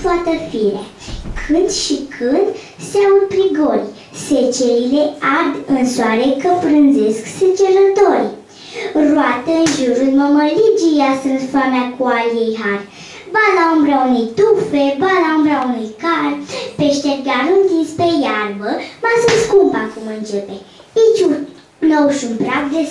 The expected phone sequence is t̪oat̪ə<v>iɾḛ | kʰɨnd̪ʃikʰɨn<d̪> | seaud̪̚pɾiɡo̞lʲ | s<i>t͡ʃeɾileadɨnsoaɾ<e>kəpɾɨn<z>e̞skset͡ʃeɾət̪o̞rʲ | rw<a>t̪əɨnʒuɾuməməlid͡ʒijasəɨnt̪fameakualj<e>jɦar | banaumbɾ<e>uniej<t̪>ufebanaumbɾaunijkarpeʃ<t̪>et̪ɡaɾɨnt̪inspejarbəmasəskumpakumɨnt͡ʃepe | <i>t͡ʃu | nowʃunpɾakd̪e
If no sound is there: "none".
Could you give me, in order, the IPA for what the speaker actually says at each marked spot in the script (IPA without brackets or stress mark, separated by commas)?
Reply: f, d̪, e, e, z, a, e, a, t̪, t̪, i